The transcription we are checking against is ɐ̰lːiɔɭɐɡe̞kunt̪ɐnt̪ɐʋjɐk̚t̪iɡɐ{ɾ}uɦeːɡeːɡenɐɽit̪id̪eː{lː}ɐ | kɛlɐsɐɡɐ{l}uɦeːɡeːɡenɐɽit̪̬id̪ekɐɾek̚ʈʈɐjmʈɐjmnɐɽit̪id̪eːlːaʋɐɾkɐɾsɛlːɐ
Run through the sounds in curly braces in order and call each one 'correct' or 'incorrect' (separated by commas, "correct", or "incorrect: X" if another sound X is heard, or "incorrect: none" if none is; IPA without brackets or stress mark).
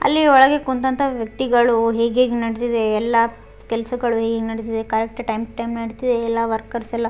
incorrect: ɭ, correct, incorrect: ɭ